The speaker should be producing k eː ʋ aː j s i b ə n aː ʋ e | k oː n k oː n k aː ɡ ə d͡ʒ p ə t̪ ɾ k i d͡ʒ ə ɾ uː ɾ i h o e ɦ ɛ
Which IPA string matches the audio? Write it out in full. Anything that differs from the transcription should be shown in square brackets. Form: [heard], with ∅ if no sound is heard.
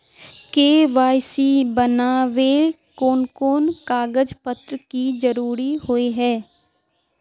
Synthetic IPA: k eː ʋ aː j s i b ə n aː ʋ e | k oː n k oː n k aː ɡ ə d͡ʒ p ə t̪ ɾ k i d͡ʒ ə ɾ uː ɾ i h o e ɦ [ɛː]